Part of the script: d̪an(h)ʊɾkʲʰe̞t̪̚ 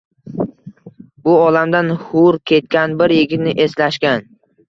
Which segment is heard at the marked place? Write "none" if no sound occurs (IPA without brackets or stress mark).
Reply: h